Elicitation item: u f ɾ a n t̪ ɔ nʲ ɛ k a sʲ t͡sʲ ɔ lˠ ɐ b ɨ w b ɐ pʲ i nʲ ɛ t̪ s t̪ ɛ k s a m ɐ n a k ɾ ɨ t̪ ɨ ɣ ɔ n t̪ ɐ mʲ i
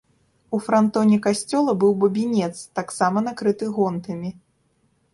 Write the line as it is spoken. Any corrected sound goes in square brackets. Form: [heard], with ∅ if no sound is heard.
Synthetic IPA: u f ɾ a n t̪ ɔ nʲ ɛ k a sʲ t͡sʲ ɔ lˠ ɐ b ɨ w b ɐ [bʲ] i nʲ ɛ t̪ s t̪ [a] k s a m ɐ n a k ɾ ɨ t̪ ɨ ɣ ɔ n t̪ ɐ mʲ i